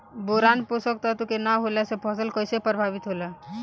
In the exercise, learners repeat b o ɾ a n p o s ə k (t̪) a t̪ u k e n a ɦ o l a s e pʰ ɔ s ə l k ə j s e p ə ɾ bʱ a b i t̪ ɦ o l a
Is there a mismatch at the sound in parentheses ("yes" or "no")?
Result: no